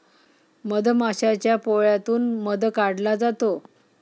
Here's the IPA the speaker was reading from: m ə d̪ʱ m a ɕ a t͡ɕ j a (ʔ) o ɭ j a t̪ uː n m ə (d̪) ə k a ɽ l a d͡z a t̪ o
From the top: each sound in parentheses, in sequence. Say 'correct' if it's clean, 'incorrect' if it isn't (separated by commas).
incorrect, correct